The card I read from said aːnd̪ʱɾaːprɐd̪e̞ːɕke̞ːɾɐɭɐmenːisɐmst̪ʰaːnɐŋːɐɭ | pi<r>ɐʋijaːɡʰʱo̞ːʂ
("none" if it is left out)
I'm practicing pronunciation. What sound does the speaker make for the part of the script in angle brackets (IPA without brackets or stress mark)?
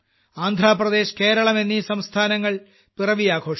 r